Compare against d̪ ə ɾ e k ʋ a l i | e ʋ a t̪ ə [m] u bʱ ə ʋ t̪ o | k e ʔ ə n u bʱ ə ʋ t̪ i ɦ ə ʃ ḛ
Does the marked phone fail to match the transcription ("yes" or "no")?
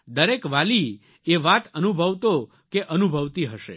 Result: yes